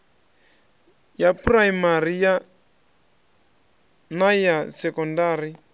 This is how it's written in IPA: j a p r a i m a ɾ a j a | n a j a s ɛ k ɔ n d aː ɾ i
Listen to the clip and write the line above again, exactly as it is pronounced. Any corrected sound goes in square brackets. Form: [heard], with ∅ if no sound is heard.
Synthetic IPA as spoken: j a p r a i m a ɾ [i] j a | n a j a s ɛ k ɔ n d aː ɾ i